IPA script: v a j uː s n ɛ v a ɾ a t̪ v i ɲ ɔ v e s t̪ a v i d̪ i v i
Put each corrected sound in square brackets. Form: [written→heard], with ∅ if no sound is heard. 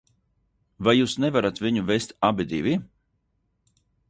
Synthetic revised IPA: v a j uː s n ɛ v a ɾ a t̪ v i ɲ [ɔ→u] v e s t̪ a [v→b] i d̪ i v i

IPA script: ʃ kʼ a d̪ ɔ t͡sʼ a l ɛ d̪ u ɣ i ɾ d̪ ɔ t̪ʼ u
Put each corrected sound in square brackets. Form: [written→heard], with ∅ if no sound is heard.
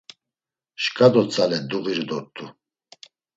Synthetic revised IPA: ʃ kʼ a d̪ ɔ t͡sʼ a l ɛ d̪ u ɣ i ɾ d̪ ɔ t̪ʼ u

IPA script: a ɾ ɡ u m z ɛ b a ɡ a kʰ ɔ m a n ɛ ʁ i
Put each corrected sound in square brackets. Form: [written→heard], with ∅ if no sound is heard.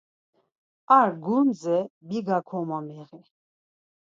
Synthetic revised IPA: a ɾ ɡ u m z ɛ b [a→i] ɡ a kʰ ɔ m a [n→m] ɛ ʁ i

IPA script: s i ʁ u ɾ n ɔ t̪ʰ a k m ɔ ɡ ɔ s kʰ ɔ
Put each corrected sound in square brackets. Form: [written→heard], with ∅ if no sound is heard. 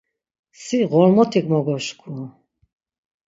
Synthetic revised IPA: s i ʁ [u→ɔ] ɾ [n→m] ɔ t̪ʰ [a→i] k m ɔ ɡ ɔ [s→ʃ] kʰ [ɔ→u]

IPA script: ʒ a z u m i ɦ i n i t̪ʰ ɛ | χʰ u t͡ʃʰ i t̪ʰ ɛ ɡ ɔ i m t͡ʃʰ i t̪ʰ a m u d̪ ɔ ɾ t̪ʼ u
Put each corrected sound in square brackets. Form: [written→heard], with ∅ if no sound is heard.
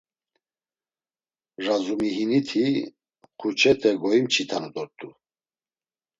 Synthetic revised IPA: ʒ a z u m i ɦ i n i t̪ʰ [ɛ→i] | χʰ u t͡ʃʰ [i→ɛ] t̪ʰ ɛ ɡ ɔ i m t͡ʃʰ i t̪ʰ a [m→n] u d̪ ɔ ɾ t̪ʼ u

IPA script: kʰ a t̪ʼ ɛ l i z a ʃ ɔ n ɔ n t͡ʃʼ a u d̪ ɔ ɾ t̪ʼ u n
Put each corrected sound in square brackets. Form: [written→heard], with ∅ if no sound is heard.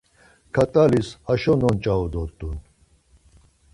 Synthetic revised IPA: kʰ a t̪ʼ [ɛ→a] l i [z→s] a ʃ ɔ n ɔ n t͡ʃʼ a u d̪ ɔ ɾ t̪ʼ u n

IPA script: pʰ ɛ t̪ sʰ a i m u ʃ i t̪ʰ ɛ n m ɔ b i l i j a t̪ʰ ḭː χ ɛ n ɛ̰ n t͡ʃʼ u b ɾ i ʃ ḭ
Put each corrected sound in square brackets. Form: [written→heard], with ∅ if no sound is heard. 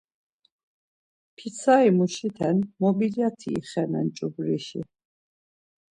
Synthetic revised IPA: pʰ [ɛ→i] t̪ sʰ a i m u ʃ i t̪ʰ ɛ n m ɔ b i l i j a t̪ʰ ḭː χ ɛ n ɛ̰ n t͡ʃʼ u b ɾ i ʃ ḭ

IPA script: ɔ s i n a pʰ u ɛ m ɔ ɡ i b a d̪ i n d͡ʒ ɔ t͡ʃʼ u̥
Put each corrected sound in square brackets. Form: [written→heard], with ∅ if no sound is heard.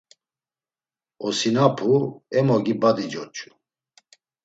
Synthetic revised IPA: ɔ s i n a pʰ u ɛ m ɔ ɡ i b a d̪ i [n→∅] d͡ʒ ɔ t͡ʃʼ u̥

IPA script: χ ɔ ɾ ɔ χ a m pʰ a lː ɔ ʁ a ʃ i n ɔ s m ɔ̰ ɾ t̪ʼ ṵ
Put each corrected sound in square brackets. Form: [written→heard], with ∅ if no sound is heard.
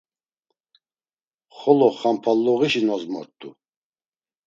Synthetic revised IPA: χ ɔ [ɾ→l] ɔ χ a m pʰ a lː ɔ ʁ [a→i] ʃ i n ɔ [s→z] m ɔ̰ ɾ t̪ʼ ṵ

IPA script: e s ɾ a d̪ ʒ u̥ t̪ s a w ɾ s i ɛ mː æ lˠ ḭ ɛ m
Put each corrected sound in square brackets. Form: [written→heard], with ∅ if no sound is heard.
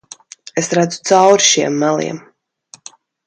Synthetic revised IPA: e s ɾ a d̪ [ʒ→z] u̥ t̪ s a w ɾ [s→ʃ] i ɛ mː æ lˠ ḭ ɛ m

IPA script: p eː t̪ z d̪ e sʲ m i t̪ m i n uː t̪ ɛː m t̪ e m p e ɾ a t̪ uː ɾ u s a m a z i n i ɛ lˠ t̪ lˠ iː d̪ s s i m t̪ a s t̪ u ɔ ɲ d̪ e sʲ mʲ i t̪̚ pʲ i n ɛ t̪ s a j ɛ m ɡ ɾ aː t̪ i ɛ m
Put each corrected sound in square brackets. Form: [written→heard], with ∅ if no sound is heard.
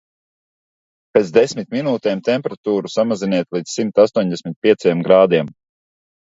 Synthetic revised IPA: p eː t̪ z d̪ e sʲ m i t̪ m i n uː t̪ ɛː m t̪ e m p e ɾ a t̪ uː ɾ u s a m a z i n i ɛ [lˠ→∅] t̪ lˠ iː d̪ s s i m t̪ a s t̪ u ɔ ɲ d̪ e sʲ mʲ i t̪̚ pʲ i [n→∅] ɛ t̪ s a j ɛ m ɡ ɾ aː [t̪→d̪] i ɛ m

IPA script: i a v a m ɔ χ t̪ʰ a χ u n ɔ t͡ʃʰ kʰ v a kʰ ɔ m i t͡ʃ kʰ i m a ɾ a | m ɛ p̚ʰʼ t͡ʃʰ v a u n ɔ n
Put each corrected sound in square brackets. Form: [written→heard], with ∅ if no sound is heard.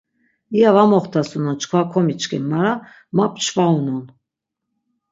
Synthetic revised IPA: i a v a m ɔ χ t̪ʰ a [χ→s] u n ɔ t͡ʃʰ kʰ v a kʰ ɔ m i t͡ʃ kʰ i m a ɾ a | m [ɛ→a] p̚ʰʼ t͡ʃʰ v a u n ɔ n

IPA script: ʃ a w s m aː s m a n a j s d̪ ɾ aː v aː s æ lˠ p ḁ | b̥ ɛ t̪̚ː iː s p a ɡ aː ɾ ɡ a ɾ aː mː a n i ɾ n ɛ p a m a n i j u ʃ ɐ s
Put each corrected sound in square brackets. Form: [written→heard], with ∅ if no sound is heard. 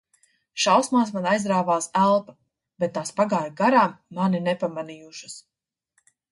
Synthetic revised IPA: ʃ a w s m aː s m a n a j [s→z] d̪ ɾ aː v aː s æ lˠ p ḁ | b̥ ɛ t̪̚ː [iː→aː] s p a ɡ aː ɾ ɡ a ɾ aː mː a n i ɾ n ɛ p a m a n i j u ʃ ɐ s

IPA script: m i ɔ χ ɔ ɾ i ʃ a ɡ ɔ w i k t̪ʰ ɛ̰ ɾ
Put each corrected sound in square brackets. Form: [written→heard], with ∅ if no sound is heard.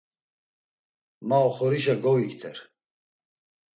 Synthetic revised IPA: m [i→a] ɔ χ ɔ ɾ i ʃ a ɡ ɔ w i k t̪ʰ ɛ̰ ɾ

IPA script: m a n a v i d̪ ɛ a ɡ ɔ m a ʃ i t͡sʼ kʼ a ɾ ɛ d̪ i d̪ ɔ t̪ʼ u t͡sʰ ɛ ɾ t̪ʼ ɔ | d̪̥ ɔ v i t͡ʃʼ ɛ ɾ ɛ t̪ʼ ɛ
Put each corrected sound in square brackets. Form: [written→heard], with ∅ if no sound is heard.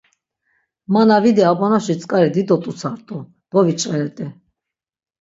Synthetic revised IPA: m a n a v i d̪ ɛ a [ɡ→b] ɔ [m→n] a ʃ i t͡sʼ kʼ a ɾ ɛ d̪ i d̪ ɔ t̪ʼ u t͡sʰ [ɛ→a] ɾ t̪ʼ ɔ | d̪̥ ɔ v i t͡ʃʼ ɛ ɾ ɛ t̪ʼ ɛ

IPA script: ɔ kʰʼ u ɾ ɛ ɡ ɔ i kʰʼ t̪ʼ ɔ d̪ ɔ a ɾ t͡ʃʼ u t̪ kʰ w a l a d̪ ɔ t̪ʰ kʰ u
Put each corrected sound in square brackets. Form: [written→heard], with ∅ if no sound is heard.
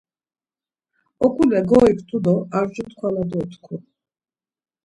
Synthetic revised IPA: ɔ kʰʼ u [ɾ→l] ɛ ɡ ɔ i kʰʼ t̪ʼ [ɔ→u] d̪ ɔ a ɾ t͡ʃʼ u t̪ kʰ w a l a d̪ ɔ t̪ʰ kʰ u

